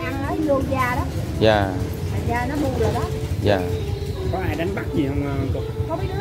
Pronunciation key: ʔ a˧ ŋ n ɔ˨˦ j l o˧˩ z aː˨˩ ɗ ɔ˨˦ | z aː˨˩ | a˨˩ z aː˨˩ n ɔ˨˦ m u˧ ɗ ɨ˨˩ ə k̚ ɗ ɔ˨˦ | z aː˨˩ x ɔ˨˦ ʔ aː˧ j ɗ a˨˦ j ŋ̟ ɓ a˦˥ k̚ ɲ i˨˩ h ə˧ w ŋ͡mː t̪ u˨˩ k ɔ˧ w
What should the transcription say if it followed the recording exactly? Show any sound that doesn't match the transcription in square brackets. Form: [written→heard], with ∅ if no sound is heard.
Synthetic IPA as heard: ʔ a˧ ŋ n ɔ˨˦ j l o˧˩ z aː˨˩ ɗ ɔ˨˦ | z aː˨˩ | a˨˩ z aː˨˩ n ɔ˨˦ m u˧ ɗ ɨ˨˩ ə k̚ ɗ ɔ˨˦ | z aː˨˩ [x→k] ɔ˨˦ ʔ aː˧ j ɗ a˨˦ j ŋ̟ ɓ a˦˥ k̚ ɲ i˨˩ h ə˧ w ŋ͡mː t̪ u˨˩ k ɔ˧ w